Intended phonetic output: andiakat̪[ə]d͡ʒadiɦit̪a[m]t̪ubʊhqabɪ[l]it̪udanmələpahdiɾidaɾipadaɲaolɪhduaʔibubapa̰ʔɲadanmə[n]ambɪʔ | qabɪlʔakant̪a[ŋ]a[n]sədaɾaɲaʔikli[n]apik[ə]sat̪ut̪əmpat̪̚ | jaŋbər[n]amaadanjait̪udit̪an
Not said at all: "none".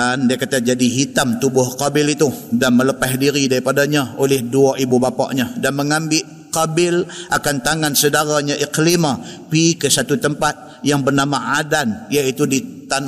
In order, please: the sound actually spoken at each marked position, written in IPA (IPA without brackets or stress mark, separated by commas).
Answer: a, m, l, ŋ, ŋ, n, m, ə, n